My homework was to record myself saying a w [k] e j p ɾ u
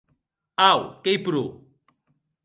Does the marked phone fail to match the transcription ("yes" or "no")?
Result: no